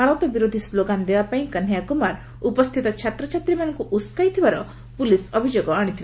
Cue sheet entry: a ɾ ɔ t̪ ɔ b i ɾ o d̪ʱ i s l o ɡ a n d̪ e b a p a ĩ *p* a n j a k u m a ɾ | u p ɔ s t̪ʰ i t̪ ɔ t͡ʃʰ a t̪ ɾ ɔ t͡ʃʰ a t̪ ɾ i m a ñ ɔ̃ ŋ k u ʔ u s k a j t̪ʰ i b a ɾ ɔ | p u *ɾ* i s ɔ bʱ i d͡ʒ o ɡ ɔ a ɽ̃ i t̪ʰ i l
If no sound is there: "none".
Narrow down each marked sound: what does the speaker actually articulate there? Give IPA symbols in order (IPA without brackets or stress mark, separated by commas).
k, l